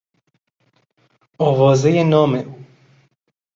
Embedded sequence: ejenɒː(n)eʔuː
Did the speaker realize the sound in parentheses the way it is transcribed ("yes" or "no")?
no